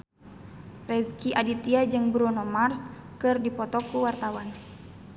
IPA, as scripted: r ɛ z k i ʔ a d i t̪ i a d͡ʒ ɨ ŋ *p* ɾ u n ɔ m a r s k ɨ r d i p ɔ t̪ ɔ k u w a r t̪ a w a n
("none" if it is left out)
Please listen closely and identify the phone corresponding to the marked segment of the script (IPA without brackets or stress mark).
b